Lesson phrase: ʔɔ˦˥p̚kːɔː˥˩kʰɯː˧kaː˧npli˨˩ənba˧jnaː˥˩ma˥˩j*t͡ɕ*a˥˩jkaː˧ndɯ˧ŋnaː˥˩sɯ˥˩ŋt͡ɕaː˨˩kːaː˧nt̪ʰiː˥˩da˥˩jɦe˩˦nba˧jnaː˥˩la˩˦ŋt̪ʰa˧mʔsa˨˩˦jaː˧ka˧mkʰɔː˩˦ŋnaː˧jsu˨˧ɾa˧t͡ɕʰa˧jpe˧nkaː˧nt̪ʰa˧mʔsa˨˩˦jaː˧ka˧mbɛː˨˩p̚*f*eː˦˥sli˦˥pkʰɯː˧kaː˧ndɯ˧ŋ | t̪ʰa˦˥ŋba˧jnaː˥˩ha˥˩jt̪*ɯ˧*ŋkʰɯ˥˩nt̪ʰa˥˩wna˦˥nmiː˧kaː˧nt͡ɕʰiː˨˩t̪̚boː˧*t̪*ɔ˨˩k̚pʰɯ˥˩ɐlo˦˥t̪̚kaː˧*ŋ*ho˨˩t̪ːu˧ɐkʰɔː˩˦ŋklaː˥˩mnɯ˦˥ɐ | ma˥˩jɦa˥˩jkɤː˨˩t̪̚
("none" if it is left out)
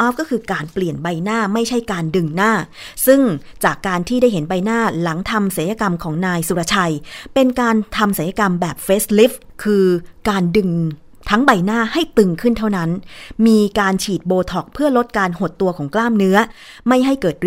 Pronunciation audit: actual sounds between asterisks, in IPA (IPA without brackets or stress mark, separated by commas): t͡ɕʰ, f, ɯ˧, t̪ʰ, n